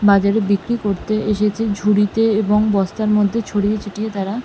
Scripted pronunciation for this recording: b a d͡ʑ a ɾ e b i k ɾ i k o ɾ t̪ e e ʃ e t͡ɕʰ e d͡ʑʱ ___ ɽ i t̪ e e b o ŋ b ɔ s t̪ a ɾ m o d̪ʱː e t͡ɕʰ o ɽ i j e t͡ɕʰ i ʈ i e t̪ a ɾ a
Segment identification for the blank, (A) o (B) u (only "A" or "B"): B